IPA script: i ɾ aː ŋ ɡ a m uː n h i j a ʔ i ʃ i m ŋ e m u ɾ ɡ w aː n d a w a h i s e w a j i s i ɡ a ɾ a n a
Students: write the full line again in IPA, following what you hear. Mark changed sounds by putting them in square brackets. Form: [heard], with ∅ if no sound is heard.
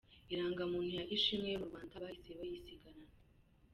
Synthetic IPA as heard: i ɾ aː ŋ ɡ a m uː n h i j a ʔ i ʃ i m ŋ e m u ɾ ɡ w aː n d a [β] a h i s e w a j i s i ɡ a ɾ a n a